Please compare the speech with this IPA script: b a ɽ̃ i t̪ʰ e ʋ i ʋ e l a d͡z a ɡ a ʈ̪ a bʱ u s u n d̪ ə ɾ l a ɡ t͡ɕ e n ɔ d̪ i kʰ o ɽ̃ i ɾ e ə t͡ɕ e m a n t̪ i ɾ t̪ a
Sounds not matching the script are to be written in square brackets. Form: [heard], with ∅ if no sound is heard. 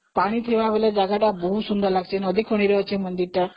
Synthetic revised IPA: [p] a ɽ̃ i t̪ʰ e ʋ [a] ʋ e l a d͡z a ɡ a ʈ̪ a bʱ u s u n d̪ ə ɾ l a ɡ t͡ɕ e n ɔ d̪ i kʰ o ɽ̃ i ɾ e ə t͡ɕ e m [ə] n [d̪] i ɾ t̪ a